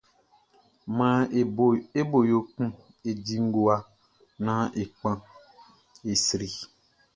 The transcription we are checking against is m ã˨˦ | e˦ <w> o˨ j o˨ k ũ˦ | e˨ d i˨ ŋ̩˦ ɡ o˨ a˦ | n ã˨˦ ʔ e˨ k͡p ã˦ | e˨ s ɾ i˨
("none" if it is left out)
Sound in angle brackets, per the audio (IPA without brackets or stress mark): b